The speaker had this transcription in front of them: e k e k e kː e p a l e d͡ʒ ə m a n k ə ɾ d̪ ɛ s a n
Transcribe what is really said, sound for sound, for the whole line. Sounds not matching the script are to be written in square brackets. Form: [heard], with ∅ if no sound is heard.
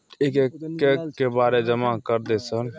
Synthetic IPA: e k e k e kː e [b] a [ɾ] e d͡ʒ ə m a [∅] k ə ɾ d̪ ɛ s [ə] n